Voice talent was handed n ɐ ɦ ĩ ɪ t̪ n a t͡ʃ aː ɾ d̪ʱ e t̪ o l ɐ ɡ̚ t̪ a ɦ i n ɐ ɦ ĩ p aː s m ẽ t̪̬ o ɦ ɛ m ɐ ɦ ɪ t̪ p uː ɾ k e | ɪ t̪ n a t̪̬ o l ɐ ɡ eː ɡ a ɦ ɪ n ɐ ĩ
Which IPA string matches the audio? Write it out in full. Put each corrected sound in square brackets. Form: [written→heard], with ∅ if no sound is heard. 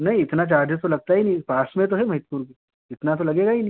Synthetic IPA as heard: n ɐ ɦ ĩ ɪ t̪ n a t͡ʃ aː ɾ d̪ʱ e t̪ o l ɐ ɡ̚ t̪ a ɦ i n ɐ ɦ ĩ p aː s m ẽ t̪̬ o ɦ ɛ m ɐ ɦ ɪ t̪ p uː ɾ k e | ɪ t̪ n a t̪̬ o l ɐ ɡ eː ɡ a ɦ [ɪ→i] n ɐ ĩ